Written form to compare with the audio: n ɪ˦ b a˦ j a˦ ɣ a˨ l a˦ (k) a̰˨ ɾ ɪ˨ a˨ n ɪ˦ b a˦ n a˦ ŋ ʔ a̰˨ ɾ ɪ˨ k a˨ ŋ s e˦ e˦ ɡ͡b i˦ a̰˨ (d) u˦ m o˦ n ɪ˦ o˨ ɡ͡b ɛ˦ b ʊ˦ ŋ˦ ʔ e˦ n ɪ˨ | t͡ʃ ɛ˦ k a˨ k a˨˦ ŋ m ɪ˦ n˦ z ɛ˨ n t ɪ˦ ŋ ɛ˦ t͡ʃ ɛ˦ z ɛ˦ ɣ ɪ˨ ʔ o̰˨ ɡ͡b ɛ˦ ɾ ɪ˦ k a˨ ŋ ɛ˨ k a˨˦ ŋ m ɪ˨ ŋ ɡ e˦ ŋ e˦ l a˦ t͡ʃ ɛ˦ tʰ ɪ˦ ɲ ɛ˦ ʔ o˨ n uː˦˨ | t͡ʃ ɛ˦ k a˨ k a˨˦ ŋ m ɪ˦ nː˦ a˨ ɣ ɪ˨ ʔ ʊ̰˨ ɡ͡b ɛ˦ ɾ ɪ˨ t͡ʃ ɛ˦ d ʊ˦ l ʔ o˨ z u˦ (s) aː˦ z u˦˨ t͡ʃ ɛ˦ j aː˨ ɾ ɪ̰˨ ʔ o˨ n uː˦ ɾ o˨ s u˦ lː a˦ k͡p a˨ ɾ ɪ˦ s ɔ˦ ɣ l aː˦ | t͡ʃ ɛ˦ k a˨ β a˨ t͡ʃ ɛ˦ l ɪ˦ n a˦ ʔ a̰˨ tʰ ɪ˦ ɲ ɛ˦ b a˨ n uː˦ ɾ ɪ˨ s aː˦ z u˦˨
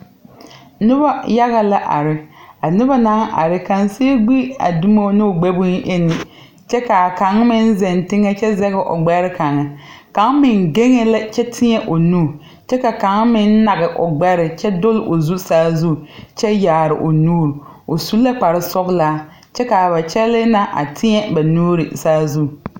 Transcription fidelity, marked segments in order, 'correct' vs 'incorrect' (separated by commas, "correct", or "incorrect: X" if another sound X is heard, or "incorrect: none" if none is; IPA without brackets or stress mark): incorrect: ʔ, correct, correct